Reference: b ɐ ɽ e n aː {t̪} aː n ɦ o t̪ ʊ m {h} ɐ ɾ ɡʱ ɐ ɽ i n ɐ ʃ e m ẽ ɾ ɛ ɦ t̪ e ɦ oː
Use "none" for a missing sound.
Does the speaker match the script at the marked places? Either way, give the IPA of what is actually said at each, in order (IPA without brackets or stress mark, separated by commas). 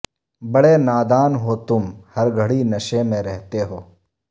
d̪, h